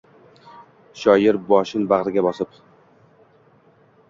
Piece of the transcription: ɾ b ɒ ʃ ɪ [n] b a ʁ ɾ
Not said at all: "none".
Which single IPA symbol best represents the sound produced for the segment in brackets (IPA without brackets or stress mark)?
n